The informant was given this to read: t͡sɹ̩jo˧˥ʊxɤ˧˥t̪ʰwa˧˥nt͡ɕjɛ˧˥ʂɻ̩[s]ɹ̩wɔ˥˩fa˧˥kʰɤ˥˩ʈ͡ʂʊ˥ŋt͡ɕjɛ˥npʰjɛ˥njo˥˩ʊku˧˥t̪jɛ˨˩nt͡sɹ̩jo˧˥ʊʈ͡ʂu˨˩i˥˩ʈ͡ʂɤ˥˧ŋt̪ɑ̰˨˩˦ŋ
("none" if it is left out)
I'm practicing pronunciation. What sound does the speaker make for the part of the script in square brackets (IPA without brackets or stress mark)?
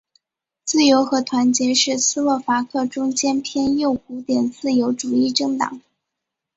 s